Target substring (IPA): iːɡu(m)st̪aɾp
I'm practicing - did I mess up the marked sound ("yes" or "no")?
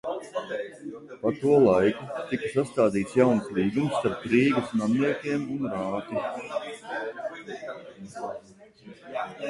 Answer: no